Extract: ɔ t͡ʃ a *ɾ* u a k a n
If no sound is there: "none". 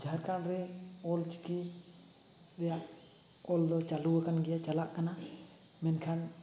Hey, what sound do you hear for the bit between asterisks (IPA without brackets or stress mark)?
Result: l